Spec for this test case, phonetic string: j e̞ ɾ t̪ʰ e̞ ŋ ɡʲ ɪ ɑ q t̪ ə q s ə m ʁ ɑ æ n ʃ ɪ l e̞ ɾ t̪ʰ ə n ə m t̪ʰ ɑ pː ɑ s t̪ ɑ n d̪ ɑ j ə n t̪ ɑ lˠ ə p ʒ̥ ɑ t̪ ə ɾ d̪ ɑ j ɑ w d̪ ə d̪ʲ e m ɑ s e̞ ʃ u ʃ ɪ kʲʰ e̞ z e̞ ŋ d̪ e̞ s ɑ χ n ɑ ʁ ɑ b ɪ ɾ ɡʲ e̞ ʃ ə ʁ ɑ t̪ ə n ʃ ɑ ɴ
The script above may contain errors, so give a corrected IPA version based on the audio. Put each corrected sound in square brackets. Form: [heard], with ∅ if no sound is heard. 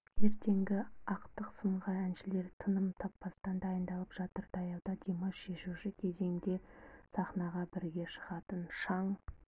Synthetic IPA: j e̞ ɾ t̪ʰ e̞ ŋ ɡʲ ɪ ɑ q t̪ ə q s ə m ʁ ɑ æ n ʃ ɪ l e̞ ɾ t̪ʰ ə n ə m t̪ʰ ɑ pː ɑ s t̪ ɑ n d̪ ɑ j ə n [d̪] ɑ lˠ ə p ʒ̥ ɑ t̪ ə ɾ d̪ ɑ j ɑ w d̪ [ɑ] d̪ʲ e m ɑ [ʃ] e̞ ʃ u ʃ ɪ kʲʰ e̞ z e̞ ŋ d̪ e̞ s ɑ χ n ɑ ʁ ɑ b ɪ ɾ ɡʲ e̞ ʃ ə ʁ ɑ t̪ ə n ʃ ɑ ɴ